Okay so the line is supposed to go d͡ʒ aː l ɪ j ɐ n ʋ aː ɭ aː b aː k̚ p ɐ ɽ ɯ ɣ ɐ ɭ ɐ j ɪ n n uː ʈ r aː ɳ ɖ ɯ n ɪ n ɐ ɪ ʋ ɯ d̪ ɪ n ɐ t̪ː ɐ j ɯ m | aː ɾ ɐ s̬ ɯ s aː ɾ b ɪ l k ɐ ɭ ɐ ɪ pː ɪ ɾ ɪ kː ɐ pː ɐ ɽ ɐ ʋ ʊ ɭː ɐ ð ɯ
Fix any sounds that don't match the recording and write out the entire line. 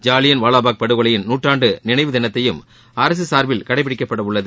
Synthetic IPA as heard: d͡ʒ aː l ɪ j ɐ n ʋ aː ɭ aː b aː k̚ p ɐ ɽ ɯ ɣ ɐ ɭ ɐ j ɪ n n uː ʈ r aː ɳ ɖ ɯ n ɪ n ɐ ɪ ʋ ɯ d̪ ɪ n ɐ t̪ː ɐ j ɯ m | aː ɾ ɐ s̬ ɯ s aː ɾ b ɪ l k ɐ ɽ ɐ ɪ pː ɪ ɽ ɪ kː ɐ pː ɐ ɽ ɐ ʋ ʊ ɭː ɐ ð ɯ